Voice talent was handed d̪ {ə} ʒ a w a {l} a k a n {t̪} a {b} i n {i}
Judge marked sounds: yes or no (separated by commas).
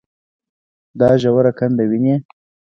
no, no, no, no, no